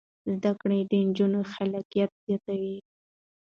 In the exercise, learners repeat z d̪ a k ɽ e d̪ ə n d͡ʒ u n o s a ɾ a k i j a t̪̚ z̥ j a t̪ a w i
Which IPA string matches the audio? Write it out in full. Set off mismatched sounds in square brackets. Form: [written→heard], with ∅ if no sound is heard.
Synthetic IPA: z d̪ a k ɽ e d̪ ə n d͡ʒ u n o [s→x] a [ɾ→l] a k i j a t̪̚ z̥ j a t̪ a w i

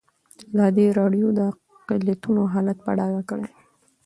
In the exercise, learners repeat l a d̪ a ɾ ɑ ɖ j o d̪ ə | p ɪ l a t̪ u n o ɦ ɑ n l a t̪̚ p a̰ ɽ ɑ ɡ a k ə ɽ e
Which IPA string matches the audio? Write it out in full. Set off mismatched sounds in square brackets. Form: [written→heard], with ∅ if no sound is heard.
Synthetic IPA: l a d̪ [a→e] ɾ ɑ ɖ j o d̪ ə | [p→q] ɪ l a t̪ u n o ɦ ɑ [n→∅] l a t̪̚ p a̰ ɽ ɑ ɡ a k ə ɽ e

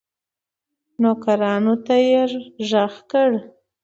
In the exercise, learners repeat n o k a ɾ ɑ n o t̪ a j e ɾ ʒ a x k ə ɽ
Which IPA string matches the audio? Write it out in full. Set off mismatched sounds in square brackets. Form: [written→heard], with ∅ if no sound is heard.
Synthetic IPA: n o k a ɾ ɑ n o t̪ a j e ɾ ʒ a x k ə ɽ

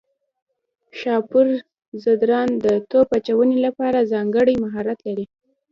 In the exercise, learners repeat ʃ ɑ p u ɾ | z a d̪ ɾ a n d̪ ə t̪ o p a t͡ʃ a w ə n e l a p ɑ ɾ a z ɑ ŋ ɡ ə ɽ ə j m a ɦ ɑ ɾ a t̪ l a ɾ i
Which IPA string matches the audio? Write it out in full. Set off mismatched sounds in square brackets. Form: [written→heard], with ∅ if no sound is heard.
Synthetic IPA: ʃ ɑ p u ɾ | z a d̪ ɾ [a→ɑ] n d̪ ə t̪ o p a t͡ʃ a w ə n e l a p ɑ ɾ a z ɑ ŋ ɡ ə ɽ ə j m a ɦ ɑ ɾ a t̪ l a ɾ i

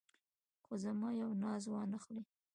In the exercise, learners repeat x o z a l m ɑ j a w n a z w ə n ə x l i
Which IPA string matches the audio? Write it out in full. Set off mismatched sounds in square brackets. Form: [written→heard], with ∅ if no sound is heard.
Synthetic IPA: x o z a [l→∅] m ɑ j a w n [a→ɑ] z w [ə→ɑ] n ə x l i

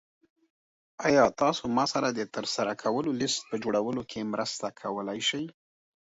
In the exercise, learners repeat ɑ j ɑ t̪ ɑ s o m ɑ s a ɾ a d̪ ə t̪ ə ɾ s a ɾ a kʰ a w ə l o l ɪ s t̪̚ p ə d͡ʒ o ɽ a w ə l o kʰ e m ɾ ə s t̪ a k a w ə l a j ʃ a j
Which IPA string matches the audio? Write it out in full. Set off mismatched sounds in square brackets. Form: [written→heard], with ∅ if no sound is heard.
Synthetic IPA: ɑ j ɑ t̪ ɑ s o m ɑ s a ɾ a d̪ ə t̪ ə ɾ s a ɾ a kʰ a w ə l o l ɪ s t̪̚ p ə d͡ʒ o ɽ a w ə l o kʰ e m ɾ ə s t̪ a [k→kʰ] a w ə l a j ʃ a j

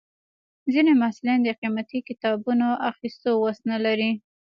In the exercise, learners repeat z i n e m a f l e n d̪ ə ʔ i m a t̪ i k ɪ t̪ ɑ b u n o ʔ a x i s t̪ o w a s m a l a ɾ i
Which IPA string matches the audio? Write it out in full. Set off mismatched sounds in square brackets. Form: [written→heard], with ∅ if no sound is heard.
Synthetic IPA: z i n e m a [f→s] l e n d̪ ə [ʔ→q] i m a t̪ i k ɪ t̪ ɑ b u n o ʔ a x i s t̪ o w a s [m→n] a l a ɾ i

